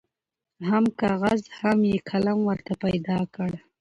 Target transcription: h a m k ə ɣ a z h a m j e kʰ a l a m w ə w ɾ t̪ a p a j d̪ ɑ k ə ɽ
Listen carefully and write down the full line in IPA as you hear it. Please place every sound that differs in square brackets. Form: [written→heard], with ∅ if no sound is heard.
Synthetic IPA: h a m k [ə→ɑ] ɣ a z h a m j e kʰ a l a m w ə [w→∅] ɾ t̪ a p a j d̪ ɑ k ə ɽ